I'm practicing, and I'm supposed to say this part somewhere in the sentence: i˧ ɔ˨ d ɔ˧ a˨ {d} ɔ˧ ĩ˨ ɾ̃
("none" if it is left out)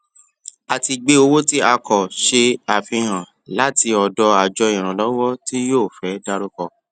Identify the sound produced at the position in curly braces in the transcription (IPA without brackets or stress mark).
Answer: d͡ʒ